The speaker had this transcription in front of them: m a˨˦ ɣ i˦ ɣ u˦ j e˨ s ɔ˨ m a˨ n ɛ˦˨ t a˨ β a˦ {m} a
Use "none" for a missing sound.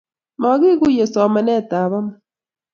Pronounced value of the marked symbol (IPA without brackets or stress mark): m